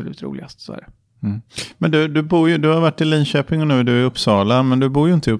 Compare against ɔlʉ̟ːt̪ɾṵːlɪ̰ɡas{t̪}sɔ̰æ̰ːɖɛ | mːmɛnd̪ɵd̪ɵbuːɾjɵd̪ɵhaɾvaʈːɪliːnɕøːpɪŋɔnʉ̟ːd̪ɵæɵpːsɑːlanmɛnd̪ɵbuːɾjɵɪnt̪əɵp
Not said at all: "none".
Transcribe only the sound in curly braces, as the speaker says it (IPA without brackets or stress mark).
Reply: t̪